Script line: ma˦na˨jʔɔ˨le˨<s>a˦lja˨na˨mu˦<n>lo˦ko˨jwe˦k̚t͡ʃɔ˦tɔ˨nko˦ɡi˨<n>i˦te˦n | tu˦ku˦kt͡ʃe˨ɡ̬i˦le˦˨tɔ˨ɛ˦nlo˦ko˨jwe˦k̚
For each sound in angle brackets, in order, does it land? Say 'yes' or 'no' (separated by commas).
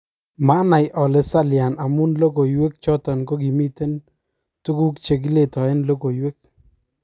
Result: yes, yes, no